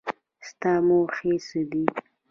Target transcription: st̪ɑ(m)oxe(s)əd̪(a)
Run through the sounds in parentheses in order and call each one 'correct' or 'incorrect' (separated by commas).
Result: correct, correct, incorrect